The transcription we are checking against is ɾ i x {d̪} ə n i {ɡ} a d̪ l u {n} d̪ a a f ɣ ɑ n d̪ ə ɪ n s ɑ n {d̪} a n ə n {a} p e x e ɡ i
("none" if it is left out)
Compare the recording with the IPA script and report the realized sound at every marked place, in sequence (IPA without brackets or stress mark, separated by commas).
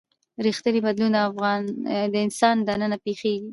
t̪, b, n, d̪, a